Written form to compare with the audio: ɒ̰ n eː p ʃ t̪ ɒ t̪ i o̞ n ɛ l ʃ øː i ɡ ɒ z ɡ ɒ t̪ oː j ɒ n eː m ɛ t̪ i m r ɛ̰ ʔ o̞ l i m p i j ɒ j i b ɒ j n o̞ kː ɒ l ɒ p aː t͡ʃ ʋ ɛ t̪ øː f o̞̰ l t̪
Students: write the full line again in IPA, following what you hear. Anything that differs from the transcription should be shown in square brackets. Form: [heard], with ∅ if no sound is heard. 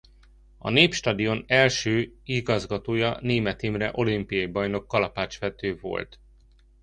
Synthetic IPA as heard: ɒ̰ n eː p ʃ t̪ ɒ [d̪] i o̞ n ɛ l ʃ øː i ɡ ɒ z ɡ ɒ t̪ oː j ɒ n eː m ɛ t̪ i m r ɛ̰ ʔ o̞ l i m p i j ɒ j i b ɒ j n o̞ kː ɒ l ɒ p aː t͡ʃ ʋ ɛ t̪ øː [v] o̞̰ l t̪